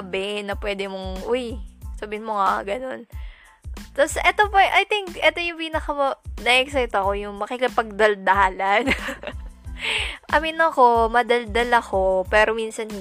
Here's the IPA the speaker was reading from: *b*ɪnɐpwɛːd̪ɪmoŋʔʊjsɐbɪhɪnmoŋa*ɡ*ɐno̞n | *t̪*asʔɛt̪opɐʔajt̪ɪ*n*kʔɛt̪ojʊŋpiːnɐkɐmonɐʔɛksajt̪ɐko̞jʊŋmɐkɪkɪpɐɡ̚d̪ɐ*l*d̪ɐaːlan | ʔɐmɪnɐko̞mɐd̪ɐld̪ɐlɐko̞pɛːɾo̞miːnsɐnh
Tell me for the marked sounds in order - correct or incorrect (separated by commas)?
correct, correct, correct, incorrect, correct